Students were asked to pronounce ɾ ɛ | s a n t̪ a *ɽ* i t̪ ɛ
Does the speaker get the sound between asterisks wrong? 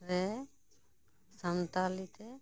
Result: yes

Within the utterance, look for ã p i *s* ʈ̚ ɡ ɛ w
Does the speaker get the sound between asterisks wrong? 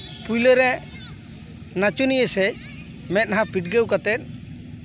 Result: yes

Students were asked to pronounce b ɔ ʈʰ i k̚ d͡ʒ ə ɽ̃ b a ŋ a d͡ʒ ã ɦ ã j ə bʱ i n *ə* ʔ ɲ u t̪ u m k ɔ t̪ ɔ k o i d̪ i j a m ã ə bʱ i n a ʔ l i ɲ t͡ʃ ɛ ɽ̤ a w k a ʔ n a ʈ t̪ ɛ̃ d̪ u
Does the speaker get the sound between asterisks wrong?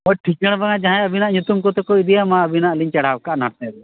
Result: yes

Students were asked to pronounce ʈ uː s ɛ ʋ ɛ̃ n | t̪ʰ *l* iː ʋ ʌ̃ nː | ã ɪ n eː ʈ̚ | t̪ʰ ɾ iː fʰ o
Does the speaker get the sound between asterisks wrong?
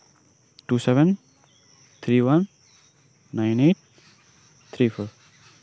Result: yes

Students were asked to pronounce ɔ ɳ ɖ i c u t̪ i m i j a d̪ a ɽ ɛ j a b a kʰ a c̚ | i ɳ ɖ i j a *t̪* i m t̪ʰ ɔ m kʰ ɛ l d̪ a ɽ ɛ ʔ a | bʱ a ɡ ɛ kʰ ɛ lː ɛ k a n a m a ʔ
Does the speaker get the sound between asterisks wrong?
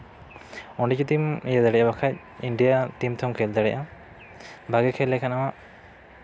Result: no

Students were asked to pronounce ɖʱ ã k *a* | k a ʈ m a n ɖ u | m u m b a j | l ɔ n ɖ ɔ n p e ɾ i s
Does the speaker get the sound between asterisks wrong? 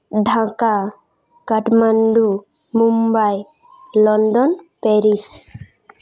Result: no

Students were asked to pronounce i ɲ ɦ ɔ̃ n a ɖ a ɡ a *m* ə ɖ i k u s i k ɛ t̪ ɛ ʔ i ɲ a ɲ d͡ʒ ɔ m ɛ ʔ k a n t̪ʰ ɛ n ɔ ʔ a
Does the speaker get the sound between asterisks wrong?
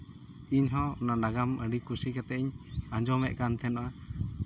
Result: no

